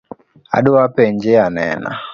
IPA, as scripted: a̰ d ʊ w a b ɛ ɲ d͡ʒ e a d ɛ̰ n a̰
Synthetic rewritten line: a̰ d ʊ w a p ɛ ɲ d͡ʒ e a n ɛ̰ n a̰